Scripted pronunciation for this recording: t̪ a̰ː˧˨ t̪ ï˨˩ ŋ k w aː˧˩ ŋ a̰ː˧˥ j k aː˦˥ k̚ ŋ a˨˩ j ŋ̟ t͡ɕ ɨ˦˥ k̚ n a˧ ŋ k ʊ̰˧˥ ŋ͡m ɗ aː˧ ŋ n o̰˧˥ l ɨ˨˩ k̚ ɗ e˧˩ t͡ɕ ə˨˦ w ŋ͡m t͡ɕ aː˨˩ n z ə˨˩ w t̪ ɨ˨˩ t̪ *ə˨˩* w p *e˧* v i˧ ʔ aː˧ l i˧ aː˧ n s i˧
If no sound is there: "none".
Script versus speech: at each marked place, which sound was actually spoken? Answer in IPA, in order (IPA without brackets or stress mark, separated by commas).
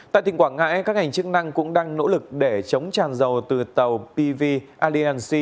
ə˨˩, i˧